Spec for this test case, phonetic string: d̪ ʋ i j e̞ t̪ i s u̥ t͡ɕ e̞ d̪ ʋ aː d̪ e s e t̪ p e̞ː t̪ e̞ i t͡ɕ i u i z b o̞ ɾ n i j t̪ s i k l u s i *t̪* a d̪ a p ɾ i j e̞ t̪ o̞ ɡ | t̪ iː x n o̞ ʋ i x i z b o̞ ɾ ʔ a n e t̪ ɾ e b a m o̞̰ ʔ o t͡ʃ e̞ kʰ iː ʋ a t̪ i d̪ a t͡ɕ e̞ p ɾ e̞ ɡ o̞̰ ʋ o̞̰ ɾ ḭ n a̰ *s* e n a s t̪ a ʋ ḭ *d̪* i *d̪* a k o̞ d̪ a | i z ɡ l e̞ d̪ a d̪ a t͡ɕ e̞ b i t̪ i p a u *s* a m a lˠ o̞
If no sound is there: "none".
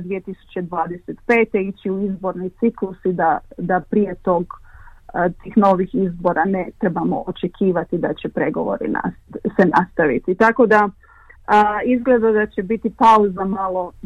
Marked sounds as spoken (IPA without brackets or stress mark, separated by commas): d̪, s, t̪, t̪, z